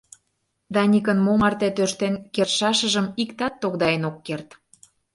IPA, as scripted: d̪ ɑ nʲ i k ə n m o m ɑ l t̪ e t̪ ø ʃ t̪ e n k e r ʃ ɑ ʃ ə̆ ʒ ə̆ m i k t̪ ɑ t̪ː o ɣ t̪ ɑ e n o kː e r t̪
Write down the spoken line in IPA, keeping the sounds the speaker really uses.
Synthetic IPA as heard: d̪ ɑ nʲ i k ə n m o m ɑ r t̪ e t̪ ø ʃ t̪ e n k e r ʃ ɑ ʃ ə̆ ʒ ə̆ m i k t̪ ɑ t̪ː o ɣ d̪ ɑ e n o kː e r t̪